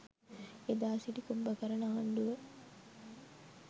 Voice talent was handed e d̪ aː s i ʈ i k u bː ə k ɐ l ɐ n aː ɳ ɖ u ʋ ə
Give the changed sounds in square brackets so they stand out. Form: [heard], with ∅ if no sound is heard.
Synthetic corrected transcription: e d̪ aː s i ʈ i k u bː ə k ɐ [ɾ] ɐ n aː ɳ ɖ u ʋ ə